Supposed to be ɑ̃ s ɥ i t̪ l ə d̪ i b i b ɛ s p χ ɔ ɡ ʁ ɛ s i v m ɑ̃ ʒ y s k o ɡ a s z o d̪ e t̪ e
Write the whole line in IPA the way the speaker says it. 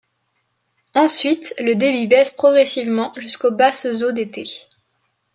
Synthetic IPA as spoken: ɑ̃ s ɥ i t̪ l ə d̪ e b i b ɛ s p χ ɔ ɡ ʁ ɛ s i v m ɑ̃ ʒ y s k o b a s z o d̪ e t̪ e